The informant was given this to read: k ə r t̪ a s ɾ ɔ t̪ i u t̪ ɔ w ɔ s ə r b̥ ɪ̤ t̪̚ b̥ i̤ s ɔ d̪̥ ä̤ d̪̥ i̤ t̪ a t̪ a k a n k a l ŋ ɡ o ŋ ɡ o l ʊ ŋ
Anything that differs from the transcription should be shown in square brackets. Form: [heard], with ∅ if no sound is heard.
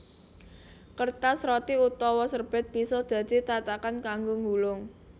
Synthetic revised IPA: k ə r t̪ a s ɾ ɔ t̪ i u t̪ ɔ w ɔ s ə r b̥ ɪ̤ t̪̚ b̥ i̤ s ɔ d̪̥ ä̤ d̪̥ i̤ t̪ a t̪ a k a n k a [∅] ŋ ɡ o ŋ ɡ [u] l ʊ ŋ